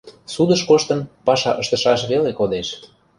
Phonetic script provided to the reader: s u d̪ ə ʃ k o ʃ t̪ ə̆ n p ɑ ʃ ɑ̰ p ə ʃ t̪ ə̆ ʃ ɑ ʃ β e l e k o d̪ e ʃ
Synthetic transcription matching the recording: s u d̪ ə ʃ k o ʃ t̪ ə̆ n p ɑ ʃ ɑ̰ ʔ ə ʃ t̪ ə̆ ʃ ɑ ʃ β e l e k o d̪ e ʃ